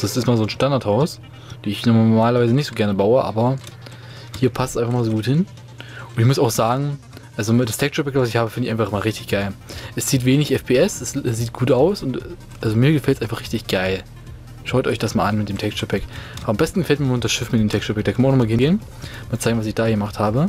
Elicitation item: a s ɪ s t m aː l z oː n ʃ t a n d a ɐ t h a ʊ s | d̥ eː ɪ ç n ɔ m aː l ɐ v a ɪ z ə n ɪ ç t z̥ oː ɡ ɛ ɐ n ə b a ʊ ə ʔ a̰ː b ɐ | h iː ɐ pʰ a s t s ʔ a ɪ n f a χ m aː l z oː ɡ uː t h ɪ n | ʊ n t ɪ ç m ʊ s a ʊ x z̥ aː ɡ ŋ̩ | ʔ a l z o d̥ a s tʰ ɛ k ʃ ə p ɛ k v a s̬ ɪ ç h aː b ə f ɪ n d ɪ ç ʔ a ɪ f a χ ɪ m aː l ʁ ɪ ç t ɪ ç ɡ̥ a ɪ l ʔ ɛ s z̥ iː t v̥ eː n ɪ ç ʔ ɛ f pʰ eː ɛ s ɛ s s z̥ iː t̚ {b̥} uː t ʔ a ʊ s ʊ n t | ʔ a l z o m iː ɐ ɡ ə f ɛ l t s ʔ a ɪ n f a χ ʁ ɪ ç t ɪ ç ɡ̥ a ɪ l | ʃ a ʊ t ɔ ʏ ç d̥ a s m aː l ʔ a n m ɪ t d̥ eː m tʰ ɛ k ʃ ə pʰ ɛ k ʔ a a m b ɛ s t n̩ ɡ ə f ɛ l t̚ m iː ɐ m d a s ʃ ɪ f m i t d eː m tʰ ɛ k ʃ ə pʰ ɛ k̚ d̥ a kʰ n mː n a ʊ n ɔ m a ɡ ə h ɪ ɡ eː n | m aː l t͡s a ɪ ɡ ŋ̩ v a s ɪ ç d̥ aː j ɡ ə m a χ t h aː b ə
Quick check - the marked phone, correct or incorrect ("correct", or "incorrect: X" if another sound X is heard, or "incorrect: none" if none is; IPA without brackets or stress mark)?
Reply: incorrect: ɡ̥